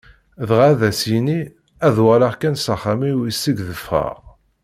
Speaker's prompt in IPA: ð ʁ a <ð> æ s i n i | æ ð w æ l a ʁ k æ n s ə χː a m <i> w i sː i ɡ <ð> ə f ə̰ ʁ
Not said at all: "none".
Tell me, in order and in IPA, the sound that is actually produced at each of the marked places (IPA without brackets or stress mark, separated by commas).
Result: ð, i, ð